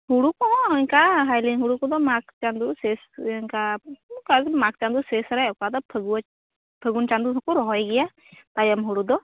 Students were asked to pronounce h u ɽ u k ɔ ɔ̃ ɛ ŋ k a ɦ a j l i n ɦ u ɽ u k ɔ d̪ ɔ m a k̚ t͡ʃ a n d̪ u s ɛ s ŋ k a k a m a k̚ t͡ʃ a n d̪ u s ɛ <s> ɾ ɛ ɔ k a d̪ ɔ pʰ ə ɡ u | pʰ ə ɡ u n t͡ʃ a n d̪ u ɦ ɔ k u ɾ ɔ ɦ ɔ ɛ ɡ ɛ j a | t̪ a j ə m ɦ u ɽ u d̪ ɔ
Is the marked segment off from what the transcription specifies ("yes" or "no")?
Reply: no